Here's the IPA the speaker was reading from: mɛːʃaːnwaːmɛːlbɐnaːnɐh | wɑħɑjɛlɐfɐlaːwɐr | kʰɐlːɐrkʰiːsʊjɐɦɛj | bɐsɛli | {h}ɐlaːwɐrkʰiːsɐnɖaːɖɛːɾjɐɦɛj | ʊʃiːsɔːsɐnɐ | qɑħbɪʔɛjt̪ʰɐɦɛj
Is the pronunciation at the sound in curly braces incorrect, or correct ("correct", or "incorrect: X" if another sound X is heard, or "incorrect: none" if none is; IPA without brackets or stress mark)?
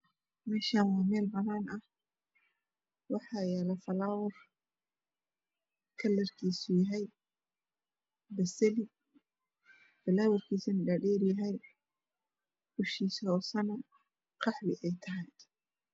incorrect: f